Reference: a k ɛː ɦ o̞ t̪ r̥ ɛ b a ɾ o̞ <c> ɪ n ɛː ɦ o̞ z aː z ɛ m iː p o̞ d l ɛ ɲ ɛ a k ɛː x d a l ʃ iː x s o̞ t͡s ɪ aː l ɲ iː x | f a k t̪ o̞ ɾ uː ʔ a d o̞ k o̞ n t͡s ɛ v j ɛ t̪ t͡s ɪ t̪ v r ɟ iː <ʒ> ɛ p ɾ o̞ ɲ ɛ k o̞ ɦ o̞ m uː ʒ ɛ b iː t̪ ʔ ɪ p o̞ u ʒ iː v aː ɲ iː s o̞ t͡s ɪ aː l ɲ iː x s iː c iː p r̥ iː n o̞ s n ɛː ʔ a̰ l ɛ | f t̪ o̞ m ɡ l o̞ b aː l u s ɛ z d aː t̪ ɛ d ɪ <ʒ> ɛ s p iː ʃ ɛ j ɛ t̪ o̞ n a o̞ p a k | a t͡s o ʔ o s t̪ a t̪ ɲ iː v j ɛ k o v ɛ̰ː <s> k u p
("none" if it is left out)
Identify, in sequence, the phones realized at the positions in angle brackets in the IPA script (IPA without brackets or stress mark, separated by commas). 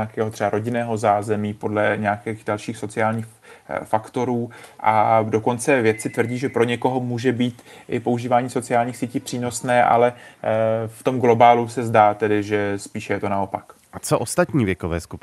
ɟ, ʒ, ʒ, s